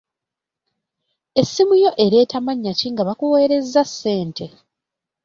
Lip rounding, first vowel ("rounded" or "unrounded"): unrounded